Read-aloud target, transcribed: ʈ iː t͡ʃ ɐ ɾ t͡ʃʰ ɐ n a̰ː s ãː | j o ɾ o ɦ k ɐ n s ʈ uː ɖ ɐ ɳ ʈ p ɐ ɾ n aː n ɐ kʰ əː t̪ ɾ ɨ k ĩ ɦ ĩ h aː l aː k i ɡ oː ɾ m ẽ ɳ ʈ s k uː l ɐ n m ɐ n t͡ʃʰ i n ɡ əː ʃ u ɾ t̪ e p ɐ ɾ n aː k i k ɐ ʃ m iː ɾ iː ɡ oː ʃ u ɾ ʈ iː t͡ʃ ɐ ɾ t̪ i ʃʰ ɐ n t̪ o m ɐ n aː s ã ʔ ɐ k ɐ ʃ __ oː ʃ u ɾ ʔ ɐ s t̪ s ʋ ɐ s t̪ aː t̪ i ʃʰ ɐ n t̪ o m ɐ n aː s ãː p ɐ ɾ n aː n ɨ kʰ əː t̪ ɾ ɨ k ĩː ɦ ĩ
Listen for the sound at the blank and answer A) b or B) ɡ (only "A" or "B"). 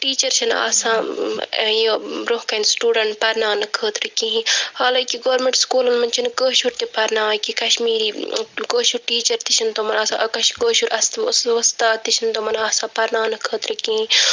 B